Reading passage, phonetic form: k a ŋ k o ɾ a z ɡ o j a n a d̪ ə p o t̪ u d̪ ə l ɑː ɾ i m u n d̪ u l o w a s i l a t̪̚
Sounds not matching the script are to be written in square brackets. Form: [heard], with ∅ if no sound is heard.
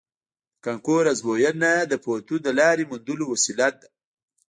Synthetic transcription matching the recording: k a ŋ k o ɾ a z [b] o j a n a d̪ ə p o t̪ u d̪ ə l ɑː ɾ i m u n d̪ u l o w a s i l a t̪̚